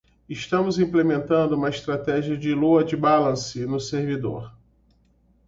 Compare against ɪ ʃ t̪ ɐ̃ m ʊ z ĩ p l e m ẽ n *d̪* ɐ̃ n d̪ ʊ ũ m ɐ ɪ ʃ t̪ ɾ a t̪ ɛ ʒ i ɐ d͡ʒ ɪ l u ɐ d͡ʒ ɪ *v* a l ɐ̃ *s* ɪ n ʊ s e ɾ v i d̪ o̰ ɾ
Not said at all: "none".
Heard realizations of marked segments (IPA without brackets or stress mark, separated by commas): t̪, b, s